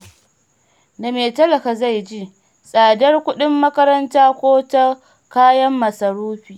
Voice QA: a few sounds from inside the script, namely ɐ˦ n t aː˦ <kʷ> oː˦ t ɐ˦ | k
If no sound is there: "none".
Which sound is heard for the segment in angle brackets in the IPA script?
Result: kʷ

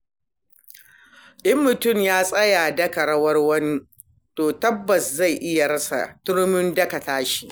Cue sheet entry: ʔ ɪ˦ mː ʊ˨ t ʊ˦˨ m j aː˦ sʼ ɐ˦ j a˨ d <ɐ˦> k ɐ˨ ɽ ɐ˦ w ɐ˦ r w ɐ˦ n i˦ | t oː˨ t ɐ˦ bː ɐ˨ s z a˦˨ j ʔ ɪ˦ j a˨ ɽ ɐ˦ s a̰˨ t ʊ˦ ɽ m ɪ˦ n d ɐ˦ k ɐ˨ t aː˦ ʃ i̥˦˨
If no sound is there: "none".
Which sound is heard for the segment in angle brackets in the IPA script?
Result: ɐ˦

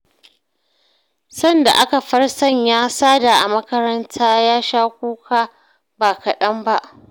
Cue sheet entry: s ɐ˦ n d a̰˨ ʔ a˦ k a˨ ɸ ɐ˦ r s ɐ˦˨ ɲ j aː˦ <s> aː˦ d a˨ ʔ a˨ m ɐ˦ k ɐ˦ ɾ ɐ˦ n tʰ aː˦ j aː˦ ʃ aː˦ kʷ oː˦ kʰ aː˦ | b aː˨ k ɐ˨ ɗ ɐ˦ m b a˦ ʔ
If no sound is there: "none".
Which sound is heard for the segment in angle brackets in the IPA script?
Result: s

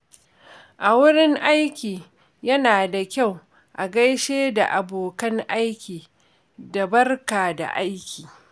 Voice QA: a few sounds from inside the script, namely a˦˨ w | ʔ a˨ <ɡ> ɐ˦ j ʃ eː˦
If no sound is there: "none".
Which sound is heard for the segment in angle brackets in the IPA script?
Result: ɡ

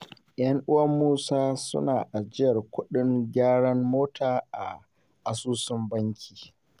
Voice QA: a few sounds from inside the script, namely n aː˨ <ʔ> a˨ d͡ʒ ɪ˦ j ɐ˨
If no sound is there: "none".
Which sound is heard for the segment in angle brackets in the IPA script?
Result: ʔ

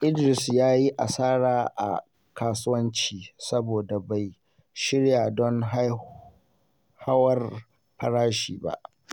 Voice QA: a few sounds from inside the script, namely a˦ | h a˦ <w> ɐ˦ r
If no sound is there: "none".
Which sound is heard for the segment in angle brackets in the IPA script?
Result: w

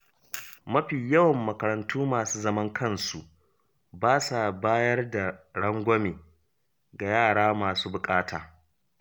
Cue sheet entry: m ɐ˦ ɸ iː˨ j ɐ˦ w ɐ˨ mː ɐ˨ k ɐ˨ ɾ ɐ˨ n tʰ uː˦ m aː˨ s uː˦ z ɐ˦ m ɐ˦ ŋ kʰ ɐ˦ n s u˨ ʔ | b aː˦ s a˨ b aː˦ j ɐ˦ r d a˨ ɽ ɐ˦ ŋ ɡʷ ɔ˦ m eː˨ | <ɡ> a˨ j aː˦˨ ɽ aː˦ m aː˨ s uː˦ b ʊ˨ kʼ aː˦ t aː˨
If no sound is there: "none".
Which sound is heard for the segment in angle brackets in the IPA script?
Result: ɡ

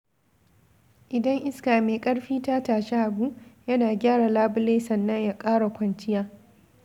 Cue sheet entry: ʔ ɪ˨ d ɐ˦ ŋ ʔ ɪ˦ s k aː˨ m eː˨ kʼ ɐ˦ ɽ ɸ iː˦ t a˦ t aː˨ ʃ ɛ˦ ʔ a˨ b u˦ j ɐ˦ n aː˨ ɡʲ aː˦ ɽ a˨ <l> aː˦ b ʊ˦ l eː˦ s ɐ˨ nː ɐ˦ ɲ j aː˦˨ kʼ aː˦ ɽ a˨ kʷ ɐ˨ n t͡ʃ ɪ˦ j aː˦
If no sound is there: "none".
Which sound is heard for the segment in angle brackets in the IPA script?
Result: l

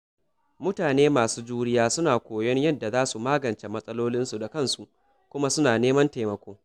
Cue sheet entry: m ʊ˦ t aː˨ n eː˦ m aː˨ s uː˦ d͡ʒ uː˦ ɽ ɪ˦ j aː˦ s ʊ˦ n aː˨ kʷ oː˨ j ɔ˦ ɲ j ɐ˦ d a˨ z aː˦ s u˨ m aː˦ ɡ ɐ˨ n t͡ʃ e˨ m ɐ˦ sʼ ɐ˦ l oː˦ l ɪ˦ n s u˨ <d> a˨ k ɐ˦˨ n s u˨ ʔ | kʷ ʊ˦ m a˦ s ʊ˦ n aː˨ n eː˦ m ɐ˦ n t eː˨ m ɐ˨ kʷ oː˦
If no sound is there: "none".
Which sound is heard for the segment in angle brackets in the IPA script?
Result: d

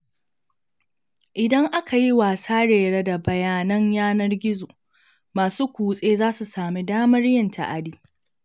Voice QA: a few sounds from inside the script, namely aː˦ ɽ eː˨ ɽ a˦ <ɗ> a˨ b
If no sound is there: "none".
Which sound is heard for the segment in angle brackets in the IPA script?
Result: d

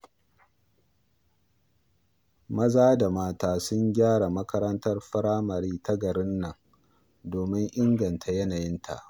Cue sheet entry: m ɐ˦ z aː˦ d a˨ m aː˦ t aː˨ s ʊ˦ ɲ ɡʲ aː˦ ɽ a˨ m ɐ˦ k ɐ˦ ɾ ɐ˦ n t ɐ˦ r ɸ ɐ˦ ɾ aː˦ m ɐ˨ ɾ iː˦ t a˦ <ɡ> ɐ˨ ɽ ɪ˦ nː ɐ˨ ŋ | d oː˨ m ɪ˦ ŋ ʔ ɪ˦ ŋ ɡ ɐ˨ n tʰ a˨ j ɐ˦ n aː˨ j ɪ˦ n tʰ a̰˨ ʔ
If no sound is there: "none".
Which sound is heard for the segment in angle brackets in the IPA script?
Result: ɡ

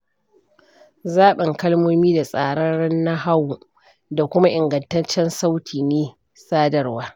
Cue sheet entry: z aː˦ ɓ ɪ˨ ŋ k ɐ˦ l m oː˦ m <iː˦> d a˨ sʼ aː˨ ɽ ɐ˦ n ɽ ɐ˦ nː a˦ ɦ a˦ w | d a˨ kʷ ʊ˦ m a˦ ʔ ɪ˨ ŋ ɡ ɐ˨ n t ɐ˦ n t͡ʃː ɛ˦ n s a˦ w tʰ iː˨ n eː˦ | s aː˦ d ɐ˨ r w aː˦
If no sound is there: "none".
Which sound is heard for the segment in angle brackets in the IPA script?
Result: iː˦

